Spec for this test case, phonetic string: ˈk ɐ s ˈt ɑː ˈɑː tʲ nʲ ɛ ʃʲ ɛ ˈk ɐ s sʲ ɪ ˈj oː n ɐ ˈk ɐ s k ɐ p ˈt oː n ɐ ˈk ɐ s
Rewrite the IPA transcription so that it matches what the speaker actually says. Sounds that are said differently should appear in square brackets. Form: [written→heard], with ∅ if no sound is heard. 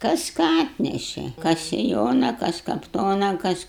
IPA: ˈk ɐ s [ˈt→ˈk] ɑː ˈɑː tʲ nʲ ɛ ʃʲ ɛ ˈk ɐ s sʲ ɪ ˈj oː n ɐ ˈk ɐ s k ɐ p ˈt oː n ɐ ˈk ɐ s